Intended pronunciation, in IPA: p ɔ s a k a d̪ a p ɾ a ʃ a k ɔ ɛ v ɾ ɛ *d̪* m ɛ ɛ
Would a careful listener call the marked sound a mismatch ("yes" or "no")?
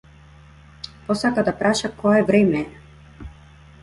yes